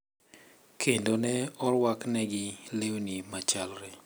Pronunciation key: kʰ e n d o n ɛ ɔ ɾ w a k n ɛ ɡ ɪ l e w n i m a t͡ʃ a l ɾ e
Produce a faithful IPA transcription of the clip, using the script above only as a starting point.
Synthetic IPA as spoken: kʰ e n d o n ɛ ɔ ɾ w a k n ɛ ɡ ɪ l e w n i m a t͡ʃ a l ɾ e